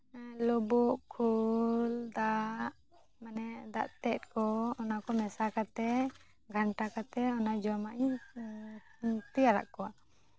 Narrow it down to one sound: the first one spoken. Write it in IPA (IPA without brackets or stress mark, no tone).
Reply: l